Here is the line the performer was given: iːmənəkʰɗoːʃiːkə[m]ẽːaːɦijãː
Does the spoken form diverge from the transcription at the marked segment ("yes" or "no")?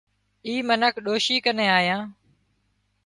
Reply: yes